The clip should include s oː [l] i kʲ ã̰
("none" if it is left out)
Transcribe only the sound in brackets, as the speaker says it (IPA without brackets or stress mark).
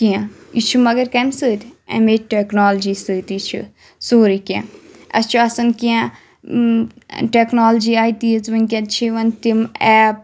ɾ